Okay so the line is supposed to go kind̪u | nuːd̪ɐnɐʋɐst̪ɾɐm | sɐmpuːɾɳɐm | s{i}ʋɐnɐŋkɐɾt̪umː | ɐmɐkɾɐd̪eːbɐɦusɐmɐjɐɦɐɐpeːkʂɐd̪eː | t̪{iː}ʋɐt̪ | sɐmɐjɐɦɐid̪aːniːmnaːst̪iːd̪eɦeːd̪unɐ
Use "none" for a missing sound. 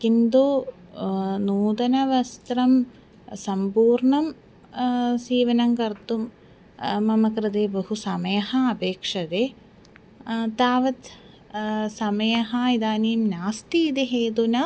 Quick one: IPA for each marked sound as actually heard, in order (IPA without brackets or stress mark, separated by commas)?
iː, aː